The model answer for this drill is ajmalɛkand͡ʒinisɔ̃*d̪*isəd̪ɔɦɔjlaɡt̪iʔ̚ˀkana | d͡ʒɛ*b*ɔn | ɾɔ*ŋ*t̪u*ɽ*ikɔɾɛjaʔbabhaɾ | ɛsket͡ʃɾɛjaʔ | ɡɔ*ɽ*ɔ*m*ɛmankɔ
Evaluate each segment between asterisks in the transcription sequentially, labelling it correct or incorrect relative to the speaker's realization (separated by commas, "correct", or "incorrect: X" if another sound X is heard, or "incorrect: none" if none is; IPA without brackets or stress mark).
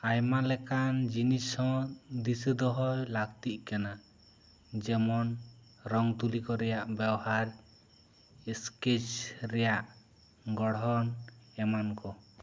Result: correct, incorrect: m, correct, incorrect: l, correct, incorrect: n